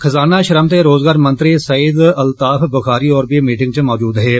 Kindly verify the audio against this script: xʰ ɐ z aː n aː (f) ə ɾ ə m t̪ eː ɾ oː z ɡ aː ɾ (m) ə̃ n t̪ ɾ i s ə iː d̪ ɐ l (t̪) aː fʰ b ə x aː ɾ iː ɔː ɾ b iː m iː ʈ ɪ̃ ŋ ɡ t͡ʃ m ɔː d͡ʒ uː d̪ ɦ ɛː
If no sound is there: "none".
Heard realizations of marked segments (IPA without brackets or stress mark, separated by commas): ʃ, m, t̪